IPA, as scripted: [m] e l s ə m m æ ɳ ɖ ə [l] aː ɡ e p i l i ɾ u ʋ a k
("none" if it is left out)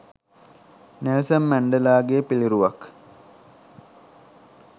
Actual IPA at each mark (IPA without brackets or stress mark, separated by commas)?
n, l